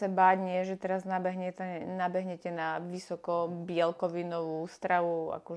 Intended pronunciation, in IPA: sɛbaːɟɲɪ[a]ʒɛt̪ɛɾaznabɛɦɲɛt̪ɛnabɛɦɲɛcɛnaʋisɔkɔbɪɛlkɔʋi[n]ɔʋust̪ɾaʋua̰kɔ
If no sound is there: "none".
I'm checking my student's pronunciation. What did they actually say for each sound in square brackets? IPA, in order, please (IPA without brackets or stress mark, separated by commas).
ɛ, n